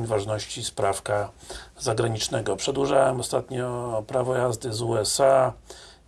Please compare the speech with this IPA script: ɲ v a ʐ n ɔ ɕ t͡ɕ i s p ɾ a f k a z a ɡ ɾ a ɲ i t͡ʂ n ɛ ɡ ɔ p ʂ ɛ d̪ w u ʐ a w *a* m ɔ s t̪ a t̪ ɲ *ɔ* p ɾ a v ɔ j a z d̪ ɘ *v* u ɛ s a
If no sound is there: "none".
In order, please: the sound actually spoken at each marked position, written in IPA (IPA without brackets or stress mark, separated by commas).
ɛ, ɔ, z